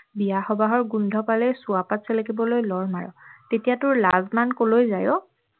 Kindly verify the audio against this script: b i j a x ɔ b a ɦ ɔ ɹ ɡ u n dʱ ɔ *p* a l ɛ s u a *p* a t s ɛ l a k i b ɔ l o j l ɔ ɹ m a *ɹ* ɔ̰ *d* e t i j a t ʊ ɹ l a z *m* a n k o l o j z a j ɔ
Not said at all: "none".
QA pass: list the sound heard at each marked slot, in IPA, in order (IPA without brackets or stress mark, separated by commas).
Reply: p, p, ɹ, t, m